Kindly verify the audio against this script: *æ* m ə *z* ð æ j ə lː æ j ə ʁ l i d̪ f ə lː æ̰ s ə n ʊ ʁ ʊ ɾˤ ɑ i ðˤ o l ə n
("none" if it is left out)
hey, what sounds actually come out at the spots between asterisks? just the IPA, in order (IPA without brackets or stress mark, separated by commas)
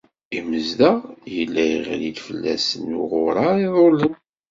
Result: i, z